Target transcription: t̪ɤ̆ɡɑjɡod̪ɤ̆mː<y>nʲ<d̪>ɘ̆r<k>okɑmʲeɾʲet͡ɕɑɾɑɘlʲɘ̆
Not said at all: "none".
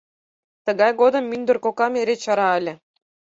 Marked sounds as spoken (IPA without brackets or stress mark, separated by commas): y, d̪, k